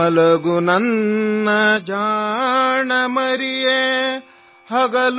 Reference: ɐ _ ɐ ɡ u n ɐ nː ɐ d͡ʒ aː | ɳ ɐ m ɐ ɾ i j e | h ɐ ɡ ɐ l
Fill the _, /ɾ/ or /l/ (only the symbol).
l